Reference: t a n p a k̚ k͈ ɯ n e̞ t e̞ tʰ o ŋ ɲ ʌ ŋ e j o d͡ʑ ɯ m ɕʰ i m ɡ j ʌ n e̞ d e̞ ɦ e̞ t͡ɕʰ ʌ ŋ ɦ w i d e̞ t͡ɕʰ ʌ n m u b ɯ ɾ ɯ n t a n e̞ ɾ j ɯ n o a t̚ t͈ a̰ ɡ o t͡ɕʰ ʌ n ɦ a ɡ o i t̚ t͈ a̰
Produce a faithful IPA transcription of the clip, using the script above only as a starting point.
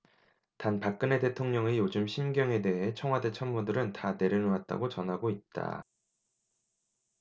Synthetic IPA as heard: t a n p a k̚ k͈ ɯ n e̞ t e̞ tʰ o ŋ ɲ ʌ ŋ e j o d͡ʑ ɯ m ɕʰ i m ɡ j ʌ ŋ e̞ d e̞ ɦ e̞ t͡ɕʰ ʌ ŋ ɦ w a d e̞ t͡ɕʰ ʌ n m u d ɯ ɾ ɯ n t a n e̞ ɾ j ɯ n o a t̚ t͈ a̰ ɡ o t͡ɕ ʌ n ɦ a ɡ o i t̚ t͈ a̰